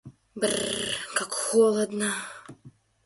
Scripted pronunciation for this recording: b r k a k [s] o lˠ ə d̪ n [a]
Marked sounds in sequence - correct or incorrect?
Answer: incorrect: x, incorrect: ə

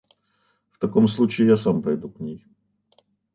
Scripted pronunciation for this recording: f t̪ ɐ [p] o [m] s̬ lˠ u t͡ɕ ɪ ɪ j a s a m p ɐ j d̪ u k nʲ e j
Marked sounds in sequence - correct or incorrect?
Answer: incorrect: k, correct

